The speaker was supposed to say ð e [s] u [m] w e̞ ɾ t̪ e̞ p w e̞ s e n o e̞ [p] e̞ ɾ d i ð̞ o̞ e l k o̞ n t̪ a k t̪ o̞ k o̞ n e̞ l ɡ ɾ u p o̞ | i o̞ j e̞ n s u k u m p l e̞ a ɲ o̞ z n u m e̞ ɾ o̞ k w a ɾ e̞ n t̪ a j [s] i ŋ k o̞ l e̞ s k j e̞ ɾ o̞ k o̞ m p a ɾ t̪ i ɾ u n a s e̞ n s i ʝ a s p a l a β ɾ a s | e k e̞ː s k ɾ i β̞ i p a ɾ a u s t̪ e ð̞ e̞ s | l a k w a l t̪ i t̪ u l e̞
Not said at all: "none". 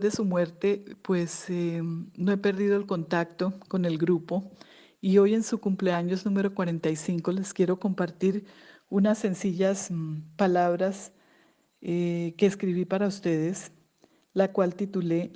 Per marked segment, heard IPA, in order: s, m, p, s

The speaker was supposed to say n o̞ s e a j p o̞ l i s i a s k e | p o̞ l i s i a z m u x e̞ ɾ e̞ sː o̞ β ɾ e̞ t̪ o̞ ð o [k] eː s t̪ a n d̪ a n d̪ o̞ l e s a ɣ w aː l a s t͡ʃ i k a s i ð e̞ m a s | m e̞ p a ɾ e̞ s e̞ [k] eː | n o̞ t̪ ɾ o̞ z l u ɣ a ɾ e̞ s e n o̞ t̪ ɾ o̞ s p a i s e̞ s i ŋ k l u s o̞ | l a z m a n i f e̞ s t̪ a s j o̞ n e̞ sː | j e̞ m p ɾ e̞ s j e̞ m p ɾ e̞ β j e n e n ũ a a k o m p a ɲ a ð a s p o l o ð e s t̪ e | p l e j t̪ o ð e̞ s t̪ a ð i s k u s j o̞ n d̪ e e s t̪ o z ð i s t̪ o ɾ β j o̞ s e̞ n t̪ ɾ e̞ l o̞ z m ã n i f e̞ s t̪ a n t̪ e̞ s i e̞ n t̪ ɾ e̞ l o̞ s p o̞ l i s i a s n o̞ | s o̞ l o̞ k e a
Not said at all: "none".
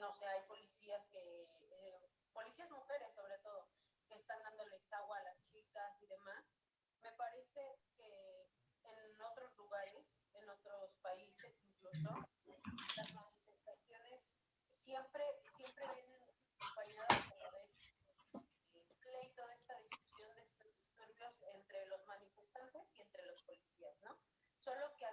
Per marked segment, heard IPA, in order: k, k

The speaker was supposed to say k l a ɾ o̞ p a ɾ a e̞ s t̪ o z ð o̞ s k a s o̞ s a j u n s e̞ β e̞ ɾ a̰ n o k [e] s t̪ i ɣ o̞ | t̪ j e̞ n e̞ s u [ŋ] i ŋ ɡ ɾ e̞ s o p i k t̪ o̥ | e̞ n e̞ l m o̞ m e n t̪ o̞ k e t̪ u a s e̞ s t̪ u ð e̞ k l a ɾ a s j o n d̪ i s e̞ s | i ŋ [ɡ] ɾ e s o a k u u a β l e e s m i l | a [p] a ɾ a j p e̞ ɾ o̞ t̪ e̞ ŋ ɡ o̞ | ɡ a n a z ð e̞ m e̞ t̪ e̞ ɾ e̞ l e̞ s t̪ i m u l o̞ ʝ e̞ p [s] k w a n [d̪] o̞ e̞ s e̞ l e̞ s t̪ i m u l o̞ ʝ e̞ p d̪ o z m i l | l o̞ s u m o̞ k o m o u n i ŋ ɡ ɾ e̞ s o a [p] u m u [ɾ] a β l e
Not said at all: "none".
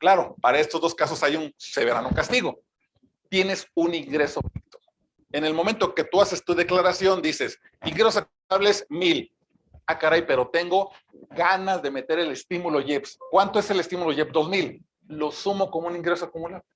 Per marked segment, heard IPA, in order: a, n, ɡ, k, s, t̪, k, l

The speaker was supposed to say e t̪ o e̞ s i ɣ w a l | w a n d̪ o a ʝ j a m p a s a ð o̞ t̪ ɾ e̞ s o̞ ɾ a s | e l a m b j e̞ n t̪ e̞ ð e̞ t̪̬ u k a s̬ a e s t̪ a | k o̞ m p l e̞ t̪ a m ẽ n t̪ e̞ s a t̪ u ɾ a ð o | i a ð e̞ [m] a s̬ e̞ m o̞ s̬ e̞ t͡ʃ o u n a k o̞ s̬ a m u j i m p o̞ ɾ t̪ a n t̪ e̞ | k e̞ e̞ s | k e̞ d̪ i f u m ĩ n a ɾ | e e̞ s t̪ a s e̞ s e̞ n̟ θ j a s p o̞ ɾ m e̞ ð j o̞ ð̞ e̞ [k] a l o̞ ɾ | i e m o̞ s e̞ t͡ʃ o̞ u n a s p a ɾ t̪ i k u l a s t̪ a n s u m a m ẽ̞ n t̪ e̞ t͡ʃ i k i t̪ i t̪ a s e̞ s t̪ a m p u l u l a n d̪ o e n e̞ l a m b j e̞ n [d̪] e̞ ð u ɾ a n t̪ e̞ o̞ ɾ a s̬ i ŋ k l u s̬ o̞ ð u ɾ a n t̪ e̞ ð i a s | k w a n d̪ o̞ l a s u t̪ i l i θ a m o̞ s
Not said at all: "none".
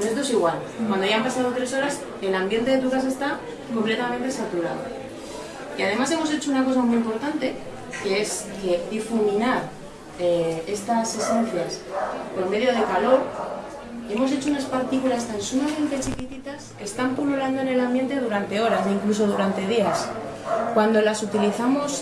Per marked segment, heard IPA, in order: m, k, t̪

